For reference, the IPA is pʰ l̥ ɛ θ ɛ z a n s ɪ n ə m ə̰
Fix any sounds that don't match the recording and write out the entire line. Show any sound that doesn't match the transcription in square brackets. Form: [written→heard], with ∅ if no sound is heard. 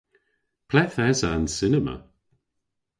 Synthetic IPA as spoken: pʰ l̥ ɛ θ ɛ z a n s ɪ n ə m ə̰